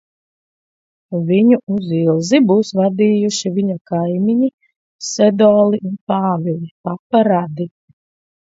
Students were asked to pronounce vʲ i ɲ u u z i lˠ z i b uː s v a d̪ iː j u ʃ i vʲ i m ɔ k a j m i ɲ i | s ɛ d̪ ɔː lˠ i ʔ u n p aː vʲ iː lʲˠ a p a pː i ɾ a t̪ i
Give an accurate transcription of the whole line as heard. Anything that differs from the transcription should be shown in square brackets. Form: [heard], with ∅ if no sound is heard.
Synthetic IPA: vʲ i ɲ u u z i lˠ z i b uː s v a d̪ iː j u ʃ i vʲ i [ɲ] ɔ k a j m i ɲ i | s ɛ d̪ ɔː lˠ i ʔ u n p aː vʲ [i] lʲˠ [i] p a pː [a] ɾ a [d̪] i